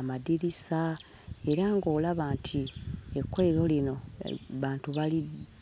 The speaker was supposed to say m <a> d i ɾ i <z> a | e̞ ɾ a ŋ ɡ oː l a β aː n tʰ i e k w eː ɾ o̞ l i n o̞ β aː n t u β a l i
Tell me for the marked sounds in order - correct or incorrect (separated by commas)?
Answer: correct, incorrect